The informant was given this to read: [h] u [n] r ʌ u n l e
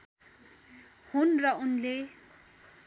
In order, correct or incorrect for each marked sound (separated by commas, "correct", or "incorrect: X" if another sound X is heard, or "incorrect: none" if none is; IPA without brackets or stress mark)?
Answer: correct, correct